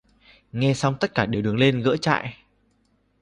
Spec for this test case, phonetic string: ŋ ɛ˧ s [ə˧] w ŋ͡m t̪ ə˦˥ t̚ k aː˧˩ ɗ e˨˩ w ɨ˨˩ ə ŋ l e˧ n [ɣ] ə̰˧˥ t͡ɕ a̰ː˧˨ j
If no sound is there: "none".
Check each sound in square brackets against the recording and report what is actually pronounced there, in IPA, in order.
a˧, ɣ

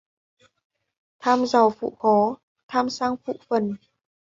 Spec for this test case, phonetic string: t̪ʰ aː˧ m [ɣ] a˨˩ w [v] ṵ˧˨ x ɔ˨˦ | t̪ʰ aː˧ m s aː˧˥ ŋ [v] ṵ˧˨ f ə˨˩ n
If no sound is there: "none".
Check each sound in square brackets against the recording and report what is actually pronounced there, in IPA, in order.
z, f, f

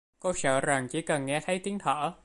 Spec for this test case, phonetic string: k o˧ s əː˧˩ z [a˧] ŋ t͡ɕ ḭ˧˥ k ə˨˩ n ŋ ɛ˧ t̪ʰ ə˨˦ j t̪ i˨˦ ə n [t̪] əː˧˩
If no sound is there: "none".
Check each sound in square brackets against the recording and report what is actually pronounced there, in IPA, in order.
a˨˩, t̪ʰ

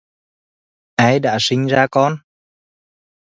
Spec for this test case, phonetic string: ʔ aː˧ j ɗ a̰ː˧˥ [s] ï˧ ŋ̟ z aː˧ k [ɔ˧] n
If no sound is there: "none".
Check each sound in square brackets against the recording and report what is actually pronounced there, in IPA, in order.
s, ɔ˧

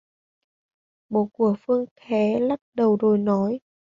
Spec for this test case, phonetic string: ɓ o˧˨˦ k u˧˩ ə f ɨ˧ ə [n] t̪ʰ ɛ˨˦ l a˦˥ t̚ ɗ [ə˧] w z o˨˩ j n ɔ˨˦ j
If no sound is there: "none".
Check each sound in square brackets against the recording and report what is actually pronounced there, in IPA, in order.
ŋ, ə˨˩

